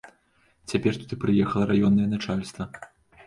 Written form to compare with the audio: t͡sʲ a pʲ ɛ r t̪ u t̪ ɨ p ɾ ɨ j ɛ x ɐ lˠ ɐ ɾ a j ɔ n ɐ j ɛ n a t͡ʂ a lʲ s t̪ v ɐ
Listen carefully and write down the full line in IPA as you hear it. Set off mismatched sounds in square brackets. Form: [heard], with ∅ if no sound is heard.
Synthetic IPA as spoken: t͡sʲ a pʲ ɛ r t̪ u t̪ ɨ p ɾ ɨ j ɛ x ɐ lˠ ɐ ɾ a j ɔ [nː] ɐ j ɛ n a t͡ʂ a lʲ s t̪ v ɐ